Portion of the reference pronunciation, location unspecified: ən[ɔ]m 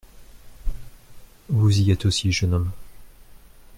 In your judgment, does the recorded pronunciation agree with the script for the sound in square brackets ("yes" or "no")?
yes